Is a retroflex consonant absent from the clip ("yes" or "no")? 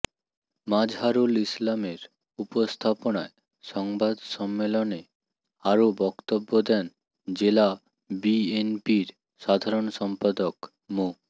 yes